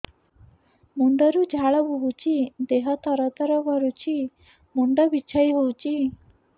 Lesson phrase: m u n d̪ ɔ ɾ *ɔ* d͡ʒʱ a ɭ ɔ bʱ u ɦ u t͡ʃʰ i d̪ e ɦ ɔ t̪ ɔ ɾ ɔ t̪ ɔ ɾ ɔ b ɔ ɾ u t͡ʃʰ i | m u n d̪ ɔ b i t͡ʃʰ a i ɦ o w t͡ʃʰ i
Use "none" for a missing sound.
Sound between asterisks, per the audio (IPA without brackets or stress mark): u